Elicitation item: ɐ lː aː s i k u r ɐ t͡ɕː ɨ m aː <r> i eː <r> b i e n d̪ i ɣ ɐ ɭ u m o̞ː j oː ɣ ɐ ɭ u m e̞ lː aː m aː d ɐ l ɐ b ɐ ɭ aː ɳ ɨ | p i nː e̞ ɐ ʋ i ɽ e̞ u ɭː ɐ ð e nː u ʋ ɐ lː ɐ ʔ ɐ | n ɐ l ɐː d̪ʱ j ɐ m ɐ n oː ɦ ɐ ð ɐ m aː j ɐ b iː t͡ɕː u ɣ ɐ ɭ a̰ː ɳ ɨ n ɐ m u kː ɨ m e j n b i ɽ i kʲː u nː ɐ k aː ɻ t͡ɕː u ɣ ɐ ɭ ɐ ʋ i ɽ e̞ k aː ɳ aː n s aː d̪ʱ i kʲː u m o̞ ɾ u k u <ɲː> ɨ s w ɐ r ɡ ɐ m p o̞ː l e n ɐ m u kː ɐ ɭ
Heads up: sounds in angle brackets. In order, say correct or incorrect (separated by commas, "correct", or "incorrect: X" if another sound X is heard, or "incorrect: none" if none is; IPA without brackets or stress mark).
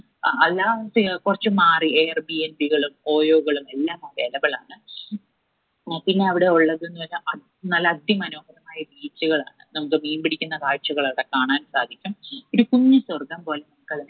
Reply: correct, correct, correct